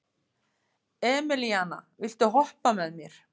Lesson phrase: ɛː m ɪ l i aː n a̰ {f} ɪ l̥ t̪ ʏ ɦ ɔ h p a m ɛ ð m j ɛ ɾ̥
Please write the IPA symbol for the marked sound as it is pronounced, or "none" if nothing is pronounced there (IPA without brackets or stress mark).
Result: v